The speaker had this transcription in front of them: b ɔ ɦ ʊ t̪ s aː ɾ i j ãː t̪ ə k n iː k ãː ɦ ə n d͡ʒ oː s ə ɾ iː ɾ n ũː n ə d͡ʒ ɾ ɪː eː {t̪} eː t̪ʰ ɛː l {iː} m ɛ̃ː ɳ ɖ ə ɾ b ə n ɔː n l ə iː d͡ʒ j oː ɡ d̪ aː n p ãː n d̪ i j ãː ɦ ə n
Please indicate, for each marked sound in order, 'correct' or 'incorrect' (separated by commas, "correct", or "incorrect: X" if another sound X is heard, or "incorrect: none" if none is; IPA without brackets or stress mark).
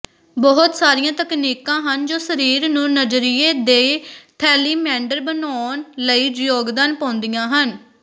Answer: incorrect: d̪, correct